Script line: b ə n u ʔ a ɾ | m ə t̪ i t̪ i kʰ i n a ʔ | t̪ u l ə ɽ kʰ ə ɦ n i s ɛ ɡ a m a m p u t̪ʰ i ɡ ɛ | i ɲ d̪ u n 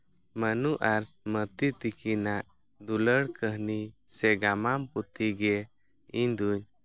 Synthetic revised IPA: m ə n u ʔ a ɾ | m ə t̪ i t̪ i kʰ i n a ʔ | d̪ u l ə ɽ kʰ ə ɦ n i s ɛ ɡ a m a m p u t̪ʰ i ɡ ɛ | i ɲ d̪ u ɲ